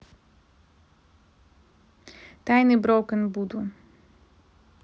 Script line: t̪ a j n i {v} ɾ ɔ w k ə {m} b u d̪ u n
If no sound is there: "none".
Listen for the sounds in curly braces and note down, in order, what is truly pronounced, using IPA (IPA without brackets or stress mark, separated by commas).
b, n